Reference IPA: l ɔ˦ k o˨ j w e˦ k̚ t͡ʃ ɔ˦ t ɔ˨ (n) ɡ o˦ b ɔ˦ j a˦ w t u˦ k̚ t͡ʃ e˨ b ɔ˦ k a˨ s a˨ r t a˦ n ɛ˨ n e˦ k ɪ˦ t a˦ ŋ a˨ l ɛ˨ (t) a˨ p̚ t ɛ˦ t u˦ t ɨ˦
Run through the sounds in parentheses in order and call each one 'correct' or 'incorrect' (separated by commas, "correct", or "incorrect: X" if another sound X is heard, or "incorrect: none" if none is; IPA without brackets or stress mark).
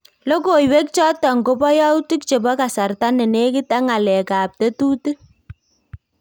incorrect: ŋ, incorrect: k